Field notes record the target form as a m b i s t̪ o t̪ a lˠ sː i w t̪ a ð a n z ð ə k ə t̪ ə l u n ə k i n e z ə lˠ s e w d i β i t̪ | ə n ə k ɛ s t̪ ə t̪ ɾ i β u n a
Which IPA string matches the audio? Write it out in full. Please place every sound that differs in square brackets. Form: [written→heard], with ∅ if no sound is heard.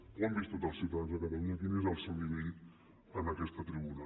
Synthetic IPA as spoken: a m b i s t̪ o t̪ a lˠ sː i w t̪ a ð a n z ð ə k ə t̪ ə l u [n→ɲ] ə k i n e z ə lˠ s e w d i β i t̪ | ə n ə k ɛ s t̪ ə t̪ ɾ i β u n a